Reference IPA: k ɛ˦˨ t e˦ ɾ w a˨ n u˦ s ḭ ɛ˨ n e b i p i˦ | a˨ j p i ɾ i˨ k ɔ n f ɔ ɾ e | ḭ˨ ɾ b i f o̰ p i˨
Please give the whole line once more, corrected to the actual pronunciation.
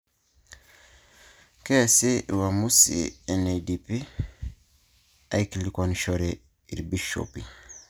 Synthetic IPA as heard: k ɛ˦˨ s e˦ w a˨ m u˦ s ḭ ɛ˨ n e d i p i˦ | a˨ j k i l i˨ k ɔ n ʃ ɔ ɾ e | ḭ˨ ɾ b i ʃ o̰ p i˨